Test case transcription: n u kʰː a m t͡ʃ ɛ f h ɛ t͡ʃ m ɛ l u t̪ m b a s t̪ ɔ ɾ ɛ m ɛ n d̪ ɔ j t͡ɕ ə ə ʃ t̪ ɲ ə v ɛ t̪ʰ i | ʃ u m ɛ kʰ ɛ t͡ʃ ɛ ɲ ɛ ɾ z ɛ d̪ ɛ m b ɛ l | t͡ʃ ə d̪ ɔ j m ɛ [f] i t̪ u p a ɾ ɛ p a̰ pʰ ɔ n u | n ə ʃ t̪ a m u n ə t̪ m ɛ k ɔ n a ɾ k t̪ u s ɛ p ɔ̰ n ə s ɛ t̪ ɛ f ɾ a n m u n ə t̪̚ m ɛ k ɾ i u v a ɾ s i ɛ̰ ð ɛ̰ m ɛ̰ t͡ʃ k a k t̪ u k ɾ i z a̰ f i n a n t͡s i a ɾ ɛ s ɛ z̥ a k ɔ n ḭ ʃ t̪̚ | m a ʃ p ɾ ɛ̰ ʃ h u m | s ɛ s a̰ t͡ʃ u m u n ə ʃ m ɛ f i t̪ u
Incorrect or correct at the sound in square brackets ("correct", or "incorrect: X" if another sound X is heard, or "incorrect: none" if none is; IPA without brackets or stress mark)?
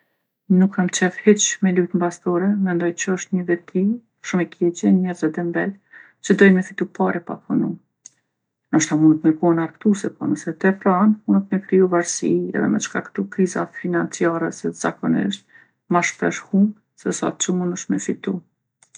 correct